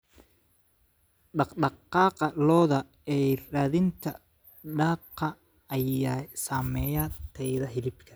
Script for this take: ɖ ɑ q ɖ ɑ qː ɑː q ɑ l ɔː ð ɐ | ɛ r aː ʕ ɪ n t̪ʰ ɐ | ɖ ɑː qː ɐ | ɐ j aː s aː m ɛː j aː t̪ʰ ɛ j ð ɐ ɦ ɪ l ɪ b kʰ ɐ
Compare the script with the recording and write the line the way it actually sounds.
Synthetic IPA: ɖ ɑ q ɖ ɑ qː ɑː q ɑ l ɔː ð ɐ | ɛ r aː ð ɪ n t̪ʰ ɐ | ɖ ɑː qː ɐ | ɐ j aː s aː m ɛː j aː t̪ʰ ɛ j ð ɐ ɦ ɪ l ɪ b kʰ ɐ